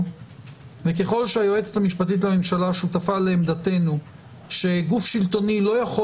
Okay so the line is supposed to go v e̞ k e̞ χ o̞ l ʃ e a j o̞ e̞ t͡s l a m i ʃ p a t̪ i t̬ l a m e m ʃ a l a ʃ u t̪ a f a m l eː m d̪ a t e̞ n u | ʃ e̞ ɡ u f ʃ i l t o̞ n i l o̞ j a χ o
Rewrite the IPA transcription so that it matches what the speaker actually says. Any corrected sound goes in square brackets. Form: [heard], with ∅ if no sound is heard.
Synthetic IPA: v e̞ k e̞ χ o̞ l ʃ e a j o̞ e̞ t͡s l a m i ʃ p a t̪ i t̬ l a m e m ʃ a l a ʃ u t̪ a f a [∅] l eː m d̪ a t e̞ n u | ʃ e̞ ɡ u f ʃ i l t o̞ n i l o̞ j a χ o